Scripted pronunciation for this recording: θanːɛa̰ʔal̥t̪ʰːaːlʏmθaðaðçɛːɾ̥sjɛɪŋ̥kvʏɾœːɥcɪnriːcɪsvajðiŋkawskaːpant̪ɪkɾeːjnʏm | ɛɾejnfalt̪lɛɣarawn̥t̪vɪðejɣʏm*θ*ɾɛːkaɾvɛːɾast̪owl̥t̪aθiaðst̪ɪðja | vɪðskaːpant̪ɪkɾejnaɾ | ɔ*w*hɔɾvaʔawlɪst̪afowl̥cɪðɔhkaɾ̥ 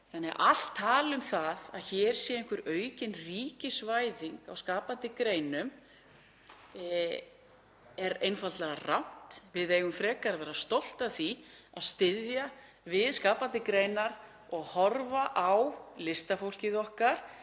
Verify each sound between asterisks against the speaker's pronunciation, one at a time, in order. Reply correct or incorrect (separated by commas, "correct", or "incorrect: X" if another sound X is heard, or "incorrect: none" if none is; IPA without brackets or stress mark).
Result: incorrect: f, incorrect: ɣ